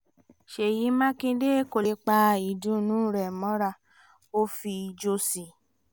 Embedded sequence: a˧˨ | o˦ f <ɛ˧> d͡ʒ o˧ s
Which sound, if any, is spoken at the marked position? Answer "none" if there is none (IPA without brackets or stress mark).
i˧